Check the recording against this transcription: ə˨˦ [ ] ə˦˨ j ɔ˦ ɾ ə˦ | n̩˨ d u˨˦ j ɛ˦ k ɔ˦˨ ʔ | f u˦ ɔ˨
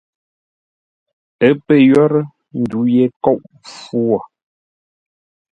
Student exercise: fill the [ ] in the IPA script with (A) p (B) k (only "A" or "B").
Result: A